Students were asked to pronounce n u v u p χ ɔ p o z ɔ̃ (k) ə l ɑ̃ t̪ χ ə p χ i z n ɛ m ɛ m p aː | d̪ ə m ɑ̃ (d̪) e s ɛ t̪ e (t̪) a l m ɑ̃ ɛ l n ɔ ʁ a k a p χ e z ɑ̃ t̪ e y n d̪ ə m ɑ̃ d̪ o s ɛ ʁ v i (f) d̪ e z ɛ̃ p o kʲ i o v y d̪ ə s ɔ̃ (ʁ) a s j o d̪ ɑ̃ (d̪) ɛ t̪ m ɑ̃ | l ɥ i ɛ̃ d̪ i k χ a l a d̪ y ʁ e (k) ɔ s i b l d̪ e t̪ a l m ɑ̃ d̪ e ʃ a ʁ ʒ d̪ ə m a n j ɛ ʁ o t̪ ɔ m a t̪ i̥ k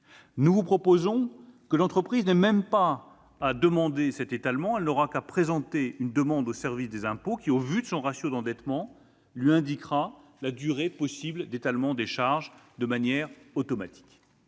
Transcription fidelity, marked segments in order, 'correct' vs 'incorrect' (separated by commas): correct, correct, correct, incorrect, correct, correct, incorrect